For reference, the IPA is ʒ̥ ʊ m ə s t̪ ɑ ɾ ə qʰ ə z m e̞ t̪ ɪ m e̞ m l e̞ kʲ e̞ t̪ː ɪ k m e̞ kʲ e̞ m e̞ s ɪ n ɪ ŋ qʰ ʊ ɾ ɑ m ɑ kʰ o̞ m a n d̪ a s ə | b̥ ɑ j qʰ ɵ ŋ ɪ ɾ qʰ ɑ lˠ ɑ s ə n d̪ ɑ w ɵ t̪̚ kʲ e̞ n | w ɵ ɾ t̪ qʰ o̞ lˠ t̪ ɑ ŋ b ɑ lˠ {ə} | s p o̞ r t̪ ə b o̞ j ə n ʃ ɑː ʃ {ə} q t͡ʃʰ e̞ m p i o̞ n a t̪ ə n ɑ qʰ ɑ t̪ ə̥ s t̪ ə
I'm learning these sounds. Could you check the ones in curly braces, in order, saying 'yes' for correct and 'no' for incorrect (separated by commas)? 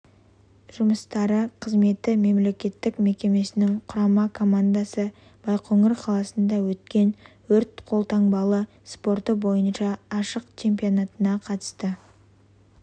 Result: yes, yes